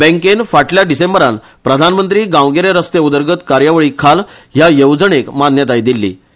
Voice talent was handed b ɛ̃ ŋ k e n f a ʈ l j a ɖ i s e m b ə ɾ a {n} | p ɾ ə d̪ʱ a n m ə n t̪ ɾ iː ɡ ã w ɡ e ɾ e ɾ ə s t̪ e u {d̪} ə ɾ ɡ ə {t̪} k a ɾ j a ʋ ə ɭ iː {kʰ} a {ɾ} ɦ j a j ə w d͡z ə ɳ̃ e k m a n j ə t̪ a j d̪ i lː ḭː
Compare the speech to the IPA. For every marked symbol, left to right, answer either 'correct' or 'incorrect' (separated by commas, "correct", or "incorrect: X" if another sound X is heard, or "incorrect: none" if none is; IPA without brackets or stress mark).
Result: correct, correct, correct, correct, incorrect: l